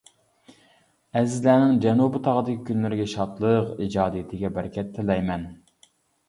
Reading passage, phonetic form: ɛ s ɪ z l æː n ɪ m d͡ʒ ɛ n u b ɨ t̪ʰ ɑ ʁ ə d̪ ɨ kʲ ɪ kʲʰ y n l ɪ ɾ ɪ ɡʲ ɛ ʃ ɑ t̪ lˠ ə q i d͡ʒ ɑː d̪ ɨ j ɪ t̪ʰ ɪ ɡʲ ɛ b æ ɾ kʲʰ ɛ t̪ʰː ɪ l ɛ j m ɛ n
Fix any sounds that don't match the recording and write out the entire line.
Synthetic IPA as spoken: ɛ z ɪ z l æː n ɪ ŋ d͡ʒ ɛ n u b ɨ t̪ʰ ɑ ʁ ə d̪ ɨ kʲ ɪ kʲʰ y n l ɪ ɾ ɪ ɡʲ ɛ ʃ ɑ t̪ lˠ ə q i d͡ʒ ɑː d̪ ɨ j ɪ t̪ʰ ɪ ɡʲ ɛ b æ ɾ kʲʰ ɛ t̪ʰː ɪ l ɛ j m ɛ n